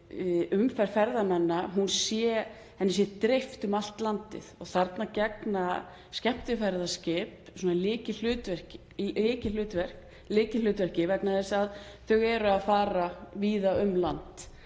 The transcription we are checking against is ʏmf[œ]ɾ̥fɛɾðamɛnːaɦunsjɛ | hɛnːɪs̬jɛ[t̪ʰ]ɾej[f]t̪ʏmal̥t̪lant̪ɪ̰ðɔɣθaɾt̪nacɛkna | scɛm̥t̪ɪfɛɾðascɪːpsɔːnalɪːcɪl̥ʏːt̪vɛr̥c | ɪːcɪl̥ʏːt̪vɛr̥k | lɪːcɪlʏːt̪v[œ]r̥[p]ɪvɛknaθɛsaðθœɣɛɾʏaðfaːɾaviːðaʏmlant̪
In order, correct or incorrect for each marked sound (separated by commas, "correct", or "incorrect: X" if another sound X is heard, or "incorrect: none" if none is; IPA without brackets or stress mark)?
incorrect: ɛ, incorrect: t̪, correct, incorrect: ɛ, incorrect: c